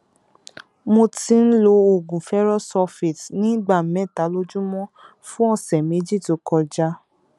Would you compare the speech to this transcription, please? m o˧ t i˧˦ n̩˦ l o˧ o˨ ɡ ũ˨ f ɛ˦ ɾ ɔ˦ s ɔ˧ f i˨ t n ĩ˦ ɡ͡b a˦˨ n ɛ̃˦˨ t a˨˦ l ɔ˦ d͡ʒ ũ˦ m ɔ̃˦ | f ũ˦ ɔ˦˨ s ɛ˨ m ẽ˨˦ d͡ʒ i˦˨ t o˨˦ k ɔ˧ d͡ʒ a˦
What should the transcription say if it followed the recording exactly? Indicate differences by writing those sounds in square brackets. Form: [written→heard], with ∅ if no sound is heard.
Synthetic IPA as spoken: m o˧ t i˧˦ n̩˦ l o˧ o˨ ɡ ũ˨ f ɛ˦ ɾ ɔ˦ s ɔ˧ f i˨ t n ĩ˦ ɡ͡b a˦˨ [n→m] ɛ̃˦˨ t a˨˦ l [ɔ˦→o˦] d͡ʒ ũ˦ m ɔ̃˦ | f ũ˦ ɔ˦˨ s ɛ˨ m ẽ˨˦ d͡ʒ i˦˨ t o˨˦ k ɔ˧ d͡ʒ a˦